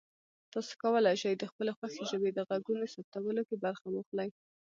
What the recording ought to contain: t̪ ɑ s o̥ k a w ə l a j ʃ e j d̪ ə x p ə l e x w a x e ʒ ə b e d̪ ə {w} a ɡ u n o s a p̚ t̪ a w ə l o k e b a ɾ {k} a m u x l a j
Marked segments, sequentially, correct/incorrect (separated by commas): incorrect, incorrect